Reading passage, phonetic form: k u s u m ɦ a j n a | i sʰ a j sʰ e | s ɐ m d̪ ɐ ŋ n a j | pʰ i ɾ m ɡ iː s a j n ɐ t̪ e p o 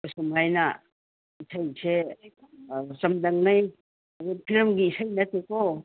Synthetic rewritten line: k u s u m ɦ a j n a | i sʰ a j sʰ e | s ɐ m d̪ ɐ ŋ n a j | pʰ i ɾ m ɡ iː s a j n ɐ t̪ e k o